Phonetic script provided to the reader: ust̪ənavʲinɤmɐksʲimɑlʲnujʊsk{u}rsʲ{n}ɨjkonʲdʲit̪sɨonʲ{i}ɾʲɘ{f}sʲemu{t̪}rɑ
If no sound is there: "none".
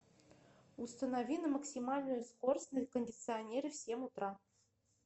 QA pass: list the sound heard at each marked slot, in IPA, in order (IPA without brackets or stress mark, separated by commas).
o, n, e, f, t̪